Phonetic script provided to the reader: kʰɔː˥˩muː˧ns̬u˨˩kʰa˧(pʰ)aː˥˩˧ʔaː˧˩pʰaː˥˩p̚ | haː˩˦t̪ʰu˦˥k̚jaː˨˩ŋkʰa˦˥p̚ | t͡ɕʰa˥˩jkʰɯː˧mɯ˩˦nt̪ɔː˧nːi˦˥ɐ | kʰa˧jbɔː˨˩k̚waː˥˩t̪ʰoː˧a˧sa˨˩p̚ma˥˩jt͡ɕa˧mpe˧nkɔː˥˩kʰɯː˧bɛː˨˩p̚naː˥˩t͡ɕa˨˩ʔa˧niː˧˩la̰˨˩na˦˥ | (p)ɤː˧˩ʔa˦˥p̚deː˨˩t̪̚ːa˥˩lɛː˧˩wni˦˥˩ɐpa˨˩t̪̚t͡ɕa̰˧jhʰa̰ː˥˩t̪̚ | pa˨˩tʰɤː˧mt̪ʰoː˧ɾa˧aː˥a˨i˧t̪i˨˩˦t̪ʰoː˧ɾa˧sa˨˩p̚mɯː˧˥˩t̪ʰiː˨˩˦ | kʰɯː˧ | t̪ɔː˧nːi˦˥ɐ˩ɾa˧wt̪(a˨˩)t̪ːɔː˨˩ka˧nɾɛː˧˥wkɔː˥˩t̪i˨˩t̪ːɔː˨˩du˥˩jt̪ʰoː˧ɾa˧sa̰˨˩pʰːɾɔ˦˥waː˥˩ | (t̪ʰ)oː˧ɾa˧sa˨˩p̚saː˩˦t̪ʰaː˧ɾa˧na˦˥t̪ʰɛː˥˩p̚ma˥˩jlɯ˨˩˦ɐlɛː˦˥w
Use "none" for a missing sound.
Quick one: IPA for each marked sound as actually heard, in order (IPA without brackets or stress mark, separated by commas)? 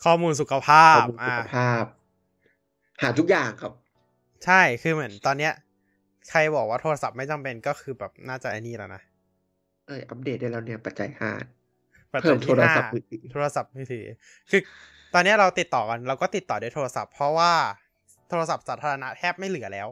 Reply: pʰ, ʔ, i˨˩, t̪ʰ